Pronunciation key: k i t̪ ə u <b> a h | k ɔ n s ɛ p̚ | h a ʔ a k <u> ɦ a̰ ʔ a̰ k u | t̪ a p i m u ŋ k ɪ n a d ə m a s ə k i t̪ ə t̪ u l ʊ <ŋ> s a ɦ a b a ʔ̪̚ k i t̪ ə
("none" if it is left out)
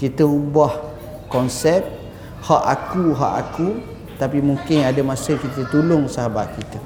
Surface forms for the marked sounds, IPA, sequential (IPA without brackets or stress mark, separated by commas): b, u, ŋ